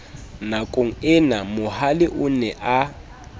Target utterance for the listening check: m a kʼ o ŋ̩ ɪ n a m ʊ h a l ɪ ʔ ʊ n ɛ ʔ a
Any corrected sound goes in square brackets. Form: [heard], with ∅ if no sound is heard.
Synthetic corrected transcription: [n] a kʼ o ŋ̩ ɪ n a m ʊ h a l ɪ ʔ ʊ n ɛ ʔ a